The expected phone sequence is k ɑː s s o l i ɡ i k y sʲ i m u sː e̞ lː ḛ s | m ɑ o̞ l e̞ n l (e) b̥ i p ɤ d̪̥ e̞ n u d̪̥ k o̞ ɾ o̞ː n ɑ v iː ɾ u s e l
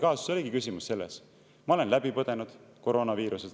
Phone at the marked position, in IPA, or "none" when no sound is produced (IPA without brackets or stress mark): æ